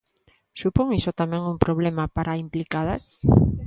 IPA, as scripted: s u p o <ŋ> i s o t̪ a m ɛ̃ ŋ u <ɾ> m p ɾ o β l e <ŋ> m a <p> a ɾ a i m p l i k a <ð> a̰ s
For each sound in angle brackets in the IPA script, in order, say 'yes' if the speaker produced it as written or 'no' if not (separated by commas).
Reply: yes, no, no, yes, yes